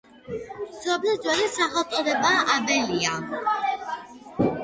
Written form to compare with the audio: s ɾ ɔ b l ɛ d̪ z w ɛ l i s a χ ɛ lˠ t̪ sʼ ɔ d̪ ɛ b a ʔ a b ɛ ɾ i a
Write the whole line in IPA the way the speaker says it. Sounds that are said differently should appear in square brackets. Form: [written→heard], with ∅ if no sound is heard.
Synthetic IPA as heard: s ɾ ɔ b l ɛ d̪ z w ɛ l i s a χ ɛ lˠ t̪ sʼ ɔ d̪ ɛ b a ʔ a b ɛ [ɾ→l] i a